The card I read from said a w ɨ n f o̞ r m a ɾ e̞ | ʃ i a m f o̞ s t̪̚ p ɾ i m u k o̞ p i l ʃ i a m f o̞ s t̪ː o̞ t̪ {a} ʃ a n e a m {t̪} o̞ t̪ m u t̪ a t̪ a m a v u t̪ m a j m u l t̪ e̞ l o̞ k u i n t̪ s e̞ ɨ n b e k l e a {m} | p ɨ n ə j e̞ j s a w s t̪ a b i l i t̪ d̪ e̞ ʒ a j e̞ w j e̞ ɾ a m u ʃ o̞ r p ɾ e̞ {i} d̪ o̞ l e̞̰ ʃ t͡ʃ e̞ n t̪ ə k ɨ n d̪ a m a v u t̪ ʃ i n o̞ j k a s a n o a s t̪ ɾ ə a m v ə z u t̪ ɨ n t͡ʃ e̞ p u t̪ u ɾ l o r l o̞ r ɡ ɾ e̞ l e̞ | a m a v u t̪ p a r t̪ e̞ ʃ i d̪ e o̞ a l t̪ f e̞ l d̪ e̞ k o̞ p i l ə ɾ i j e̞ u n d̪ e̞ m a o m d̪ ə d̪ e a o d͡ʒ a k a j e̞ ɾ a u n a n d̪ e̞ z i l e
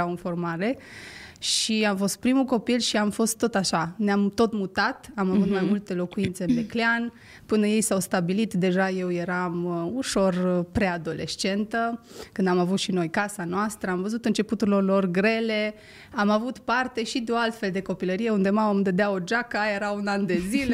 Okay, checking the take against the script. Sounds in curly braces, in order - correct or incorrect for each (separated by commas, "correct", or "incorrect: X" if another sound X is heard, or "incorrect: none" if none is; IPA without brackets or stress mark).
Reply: correct, correct, incorrect: n, incorrect: a